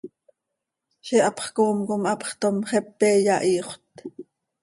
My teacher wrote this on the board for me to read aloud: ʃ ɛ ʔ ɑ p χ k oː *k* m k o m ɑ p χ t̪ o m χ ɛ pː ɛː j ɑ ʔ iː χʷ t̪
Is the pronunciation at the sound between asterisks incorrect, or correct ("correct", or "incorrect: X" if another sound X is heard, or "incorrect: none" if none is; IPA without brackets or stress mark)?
incorrect: none